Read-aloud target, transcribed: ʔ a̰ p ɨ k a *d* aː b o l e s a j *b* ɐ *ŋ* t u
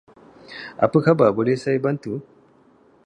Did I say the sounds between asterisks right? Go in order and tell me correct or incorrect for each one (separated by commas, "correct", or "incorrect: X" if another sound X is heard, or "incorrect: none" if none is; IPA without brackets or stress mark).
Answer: incorrect: b, correct, incorrect: n